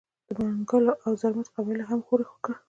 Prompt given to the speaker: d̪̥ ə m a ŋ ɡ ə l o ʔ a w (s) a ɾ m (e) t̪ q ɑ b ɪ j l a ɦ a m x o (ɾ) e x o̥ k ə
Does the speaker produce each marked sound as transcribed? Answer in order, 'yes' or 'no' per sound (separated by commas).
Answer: no, no, yes